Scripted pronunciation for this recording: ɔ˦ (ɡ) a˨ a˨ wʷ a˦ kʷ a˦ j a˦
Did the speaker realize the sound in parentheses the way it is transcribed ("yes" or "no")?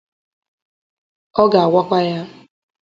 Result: yes